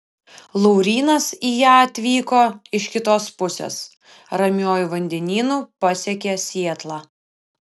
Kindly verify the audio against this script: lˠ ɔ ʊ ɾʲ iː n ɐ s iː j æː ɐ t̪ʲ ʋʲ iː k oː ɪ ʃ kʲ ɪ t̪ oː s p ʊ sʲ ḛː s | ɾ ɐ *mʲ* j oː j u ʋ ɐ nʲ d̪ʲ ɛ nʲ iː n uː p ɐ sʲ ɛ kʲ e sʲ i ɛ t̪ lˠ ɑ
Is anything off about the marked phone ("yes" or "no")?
no